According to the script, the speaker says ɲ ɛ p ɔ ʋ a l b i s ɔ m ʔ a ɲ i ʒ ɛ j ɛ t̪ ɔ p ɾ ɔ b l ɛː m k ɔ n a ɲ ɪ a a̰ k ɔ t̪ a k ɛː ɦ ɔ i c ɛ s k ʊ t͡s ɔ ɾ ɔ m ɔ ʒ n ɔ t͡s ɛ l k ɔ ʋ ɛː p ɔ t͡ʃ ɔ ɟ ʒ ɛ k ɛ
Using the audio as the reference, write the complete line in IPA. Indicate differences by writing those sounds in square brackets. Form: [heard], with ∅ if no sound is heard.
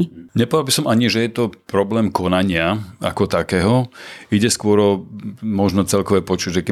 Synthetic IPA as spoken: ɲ ɛ p ɔ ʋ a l b i s ɔ m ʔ a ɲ i ʒ ɛ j ɛ t̪ ɔ p ɾ ɔ b l ɛː m k ɔ n a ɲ ɪ a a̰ k ɔ t̪ a k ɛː ɦ ɔ i [ɟ] ɛ s k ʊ [∅] ɔ ɾ ɔ m ɔ ʒ n ɔ t͡s ɛ l k ɔ ʋ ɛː p ɔ t͡ʃ [u] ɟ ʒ ɛ k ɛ